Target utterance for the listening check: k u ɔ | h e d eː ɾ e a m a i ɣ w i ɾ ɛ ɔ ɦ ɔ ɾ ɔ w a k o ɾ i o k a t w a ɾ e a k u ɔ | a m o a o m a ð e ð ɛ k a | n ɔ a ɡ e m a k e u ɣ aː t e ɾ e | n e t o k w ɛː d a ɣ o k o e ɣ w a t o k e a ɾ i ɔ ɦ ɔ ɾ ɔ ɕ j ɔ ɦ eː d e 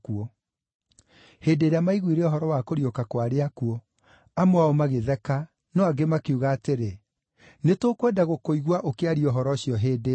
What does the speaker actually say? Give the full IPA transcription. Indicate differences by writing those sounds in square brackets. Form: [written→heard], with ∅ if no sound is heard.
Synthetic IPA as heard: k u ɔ | h e d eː ɾ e a m a i ɣ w i ɾ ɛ ɔ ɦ ɔ ɾ ɔ w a k o ɾ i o k a [t→k] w a ɾ e a k u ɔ | a m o a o m a [ð→ɣ] e ð ɛ k a | n ɔ a ɡ e m a k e u ɣ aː t e ɾ e | n e t o k w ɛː d a ɣ o k o [e→i] ɣ w a [t→ʔ] o k e a ɾ i ɔ ɦ ɔ ɾ ɔ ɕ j ɔ ɦ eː d e

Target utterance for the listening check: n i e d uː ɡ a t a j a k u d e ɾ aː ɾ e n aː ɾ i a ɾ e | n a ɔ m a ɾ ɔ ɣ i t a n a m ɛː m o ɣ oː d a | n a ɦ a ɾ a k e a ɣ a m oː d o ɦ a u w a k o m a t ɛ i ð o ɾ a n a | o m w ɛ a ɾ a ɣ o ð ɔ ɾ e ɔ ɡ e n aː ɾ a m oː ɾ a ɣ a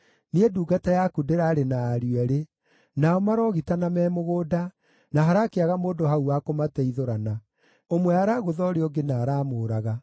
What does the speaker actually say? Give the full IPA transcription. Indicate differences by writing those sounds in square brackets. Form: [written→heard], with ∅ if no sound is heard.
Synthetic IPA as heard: n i e d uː ɡ a t a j a k u d e ɾ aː ɾ e n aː ɾ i [a→ɛ] ɾ e | n a ɔ m a ɾ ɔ ɣ i t a n a m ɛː m o ɣ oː d a | n a ɦ a ɾ a k e a ɣ a m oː d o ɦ a u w a k o m a t ɛ i ð o ɾ a n a | o m w ɛ a ɾ a ɣ o ð ɔ ɾ e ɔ ɡ e n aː ɾ a m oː ɾ a ɣ a

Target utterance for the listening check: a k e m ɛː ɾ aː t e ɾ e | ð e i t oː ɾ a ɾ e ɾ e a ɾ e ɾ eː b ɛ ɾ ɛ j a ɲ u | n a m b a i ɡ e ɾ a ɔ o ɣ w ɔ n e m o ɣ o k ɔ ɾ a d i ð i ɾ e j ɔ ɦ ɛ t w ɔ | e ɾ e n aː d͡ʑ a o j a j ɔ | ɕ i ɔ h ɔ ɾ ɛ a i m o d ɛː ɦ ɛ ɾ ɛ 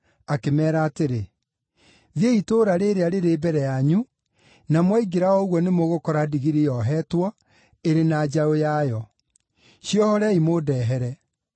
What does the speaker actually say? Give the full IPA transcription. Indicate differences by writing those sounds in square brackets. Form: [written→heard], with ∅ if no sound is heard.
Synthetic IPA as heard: a k e m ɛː ɾ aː t e ɾ e | ð e i t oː ɾ a ɾ e ɾ e a ɾ e ɾ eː b ɛ ɾ ɛ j a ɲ u | n a m [b→w] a i ɡ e ɾ a ɔ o ɣ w ɔ n e m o ɣ o k ɔ ɾ a d i [ð→ɣ] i ɾ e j ɔ ɦ ɛ t w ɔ | e ɾ e n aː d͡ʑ a o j a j ɔ | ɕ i ɔ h ɔ ɾ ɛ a i m o d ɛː ɦ ɛ ɾ ɛ

